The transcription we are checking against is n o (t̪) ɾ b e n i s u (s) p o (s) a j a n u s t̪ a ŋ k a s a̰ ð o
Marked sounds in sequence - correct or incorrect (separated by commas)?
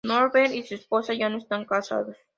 incorrect, correct, correct